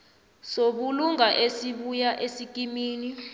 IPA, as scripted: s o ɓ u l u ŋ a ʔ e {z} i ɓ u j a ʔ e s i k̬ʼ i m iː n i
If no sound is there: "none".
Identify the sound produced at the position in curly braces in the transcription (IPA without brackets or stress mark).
s